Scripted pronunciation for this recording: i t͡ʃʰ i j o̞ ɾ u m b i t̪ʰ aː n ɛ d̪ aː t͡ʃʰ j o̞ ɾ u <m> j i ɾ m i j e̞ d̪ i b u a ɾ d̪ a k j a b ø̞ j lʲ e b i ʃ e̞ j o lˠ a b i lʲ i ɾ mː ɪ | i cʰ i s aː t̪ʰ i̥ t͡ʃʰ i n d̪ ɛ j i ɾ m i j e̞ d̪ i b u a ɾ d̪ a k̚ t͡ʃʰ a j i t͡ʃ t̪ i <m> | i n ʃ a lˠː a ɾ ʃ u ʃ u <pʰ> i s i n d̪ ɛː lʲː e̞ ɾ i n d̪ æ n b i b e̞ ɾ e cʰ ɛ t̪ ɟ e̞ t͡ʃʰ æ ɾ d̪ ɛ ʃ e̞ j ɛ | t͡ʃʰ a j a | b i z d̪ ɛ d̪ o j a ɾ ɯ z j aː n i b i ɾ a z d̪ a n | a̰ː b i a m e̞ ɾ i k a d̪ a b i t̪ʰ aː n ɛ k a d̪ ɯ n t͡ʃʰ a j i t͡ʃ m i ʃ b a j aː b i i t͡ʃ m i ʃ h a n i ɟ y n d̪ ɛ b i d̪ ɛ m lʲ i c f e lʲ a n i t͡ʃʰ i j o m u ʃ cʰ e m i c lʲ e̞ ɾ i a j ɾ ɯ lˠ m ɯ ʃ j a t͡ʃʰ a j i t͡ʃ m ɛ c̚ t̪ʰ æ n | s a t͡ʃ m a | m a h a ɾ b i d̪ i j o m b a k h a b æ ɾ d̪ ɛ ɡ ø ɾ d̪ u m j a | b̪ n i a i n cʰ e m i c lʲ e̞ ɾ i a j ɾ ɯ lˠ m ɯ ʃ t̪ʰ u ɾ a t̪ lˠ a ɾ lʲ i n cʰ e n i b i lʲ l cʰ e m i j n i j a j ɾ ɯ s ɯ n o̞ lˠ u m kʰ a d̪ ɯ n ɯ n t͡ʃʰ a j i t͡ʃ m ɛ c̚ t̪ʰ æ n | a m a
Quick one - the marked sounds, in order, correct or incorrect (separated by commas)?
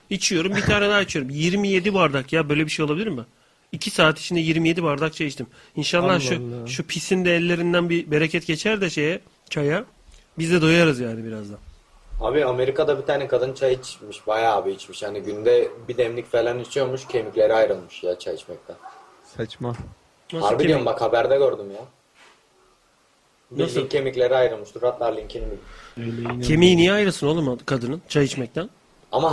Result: correct, correct, correct